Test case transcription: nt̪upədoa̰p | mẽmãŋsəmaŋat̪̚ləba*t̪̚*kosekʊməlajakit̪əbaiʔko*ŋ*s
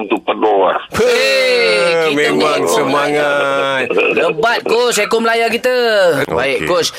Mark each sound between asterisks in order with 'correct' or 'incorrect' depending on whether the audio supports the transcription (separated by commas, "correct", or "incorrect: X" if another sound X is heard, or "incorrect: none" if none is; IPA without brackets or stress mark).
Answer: correct, incorrect: none